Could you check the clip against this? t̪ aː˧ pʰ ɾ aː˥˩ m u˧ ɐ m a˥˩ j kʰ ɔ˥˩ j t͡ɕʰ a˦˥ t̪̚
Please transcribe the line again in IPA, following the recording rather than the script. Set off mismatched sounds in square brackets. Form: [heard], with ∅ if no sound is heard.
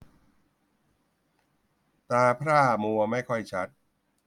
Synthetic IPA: t̪ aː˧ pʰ ɾ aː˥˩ m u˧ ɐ m a˥˩ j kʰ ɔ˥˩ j t͡ɕʰ a˦˥ t̪̚

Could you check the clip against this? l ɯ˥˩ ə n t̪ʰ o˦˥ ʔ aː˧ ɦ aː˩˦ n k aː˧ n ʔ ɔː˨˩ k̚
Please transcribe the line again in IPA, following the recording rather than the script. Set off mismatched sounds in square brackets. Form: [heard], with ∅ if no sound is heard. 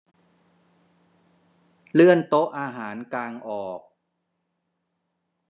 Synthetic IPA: l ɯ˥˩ ə n [t̪] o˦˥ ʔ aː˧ ɦ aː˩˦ n k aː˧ [ŋ] ʔ ɔː˨˩ k̚

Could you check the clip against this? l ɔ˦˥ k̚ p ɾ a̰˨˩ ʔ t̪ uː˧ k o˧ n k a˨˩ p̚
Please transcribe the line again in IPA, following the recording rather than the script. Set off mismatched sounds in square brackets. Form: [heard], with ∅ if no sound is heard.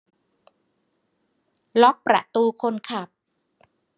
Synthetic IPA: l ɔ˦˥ k̚ p ɾ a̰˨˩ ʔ t̪ uː˧ [kʰ] o˧ n [kʰ] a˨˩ p̚

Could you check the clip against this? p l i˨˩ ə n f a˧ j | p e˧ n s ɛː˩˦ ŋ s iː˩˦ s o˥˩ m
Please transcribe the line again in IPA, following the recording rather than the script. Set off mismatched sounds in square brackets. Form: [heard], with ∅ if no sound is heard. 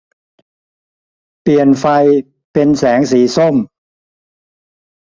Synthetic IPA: p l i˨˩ ə n f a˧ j | p e˧ n s ɛː˩˦ ŋ s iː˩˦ s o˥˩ m

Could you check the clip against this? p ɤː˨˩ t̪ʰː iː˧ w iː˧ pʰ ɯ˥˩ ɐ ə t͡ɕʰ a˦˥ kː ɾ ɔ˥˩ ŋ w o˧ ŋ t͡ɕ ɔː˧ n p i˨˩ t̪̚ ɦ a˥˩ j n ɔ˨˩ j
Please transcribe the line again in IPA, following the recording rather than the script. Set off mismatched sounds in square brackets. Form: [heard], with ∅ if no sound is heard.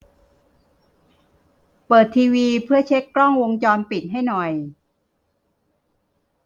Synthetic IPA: p ɤː˨˩ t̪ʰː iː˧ w iː˧ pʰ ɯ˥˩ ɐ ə t͡ɕʰ [e˦˥] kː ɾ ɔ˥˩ ŋ w o˧ ŋ t͡ɕ ɔː˧ n p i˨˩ t̪̚ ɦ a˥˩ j n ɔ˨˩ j

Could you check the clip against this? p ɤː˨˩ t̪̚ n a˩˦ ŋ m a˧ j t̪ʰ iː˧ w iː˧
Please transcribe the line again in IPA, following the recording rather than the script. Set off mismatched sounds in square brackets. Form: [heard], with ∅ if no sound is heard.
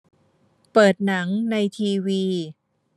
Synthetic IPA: p ɤː˨˩ t̪̚ n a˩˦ ŋ [n] a˧ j t̪ʰ iː˧ w iː˧

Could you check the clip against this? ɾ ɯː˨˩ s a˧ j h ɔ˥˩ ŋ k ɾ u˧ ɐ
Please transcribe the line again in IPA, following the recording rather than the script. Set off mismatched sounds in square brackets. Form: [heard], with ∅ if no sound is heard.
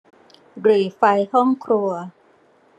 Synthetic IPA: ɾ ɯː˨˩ [f] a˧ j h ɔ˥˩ ŋ [kʰ] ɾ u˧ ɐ

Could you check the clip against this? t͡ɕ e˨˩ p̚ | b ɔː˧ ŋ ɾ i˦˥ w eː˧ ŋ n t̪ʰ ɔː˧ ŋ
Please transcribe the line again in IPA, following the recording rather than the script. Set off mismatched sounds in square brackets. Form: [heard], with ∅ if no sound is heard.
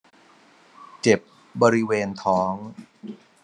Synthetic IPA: t͡ɕ e˨˩ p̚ | b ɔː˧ [∅] ɾ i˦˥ w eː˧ [∅] n t̪ʰ [ɔː˦˥] ŋ

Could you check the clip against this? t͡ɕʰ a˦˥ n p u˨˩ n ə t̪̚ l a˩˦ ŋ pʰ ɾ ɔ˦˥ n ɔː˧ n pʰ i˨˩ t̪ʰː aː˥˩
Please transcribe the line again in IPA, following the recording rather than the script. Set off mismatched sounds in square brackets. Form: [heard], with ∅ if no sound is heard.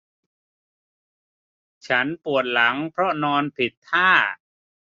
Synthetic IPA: t͡ɕʰ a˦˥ n p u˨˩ [∅] ə t̪̚ l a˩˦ ŋ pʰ ɾ ɔ˦˥ n ɔː˧ n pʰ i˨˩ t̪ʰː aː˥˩

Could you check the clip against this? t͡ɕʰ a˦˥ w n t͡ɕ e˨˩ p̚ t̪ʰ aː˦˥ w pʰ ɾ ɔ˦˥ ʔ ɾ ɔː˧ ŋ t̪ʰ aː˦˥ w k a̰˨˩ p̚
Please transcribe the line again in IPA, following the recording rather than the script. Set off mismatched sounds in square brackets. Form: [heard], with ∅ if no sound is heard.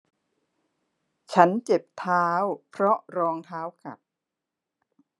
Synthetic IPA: t͡ɕʰ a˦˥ [∅] n t͡ɕ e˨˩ p̚ t̪ʰ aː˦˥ w pʰ ɾ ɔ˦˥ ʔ ɾ ɔː˧ ŋ t̪ʰ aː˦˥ w k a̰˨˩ p̚

